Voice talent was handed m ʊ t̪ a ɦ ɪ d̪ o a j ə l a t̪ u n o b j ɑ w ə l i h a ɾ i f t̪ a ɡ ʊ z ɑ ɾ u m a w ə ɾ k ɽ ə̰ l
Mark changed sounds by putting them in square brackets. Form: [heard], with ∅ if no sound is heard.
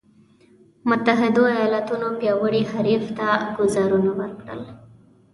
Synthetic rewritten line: m ʊ t̪ a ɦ ɪ d̪ o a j [ɑ] l a t̪ u n o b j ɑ w ə [ɽ] i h a ɾ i f t̪ a ɡ ʊ z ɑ ɾ u [n] a w ə ɾ k ɽ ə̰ l